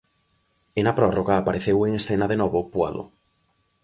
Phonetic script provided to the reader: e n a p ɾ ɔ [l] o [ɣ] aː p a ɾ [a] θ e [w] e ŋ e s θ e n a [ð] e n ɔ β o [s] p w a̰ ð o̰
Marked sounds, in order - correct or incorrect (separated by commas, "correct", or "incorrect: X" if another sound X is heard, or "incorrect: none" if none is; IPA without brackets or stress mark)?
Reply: incorrect: r, correct, incorrect: e, correct, correct, incorrect: none